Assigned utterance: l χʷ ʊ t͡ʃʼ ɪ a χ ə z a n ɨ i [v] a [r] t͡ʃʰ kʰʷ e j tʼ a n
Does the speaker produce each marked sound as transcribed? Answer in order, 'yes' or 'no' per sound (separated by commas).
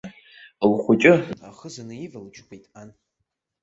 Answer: yes, no